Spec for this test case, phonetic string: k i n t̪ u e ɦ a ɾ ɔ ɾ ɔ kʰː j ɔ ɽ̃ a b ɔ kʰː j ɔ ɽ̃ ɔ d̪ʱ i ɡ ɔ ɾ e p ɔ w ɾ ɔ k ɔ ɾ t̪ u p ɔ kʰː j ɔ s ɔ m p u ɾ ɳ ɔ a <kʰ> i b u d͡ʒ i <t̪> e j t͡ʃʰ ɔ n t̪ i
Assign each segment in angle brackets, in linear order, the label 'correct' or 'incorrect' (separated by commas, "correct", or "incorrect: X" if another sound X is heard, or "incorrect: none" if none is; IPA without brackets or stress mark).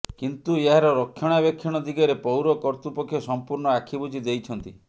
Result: correct, incorrect: d̪